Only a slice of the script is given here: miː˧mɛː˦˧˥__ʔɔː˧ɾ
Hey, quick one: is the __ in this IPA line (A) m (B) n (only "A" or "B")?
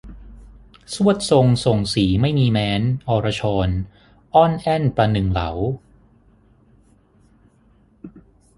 B